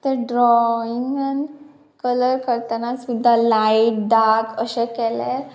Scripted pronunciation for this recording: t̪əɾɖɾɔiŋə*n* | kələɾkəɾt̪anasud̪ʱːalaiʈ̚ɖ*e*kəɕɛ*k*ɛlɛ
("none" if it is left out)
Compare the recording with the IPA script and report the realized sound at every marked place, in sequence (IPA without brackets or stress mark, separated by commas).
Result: n, a, k